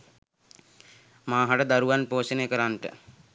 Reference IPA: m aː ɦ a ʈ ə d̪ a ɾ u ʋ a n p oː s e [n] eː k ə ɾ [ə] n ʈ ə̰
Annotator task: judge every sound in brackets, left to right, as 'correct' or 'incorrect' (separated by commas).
correct, incorrect